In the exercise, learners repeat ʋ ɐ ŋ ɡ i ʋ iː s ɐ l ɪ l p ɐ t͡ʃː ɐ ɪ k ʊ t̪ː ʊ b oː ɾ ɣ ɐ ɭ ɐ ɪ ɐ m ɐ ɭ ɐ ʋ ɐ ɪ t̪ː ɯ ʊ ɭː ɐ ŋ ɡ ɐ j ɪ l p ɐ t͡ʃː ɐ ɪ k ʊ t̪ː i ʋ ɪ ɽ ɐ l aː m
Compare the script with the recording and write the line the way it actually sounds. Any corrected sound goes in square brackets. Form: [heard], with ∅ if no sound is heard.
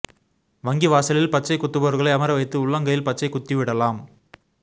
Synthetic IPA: ʋ ɐ ŋ ɡ i ʋ [aː] s ɐ l ɪ l p ɐ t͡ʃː ɐ ɪ k ʊ t̪ː [ɯ] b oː ɾ ɣ ɐ ɭ ɐ ɪ ɐ m ɐ [ɾ] ɐ ʋ ɐ ɪ t̪ː ɯ ʊ ɭː ɐ ŋ ɡ ɐ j ɪ l p ɐ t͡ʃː ɐ ɪ k ʊ t̪ː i ʋ ɪ ɽ ɐ l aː m